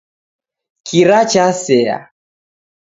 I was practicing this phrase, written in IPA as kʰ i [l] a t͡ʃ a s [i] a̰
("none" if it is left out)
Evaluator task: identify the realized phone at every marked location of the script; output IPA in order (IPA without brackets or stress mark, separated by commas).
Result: ɾ, ɛ